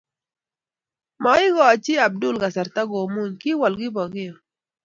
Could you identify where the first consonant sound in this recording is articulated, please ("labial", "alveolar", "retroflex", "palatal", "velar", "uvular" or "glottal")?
labial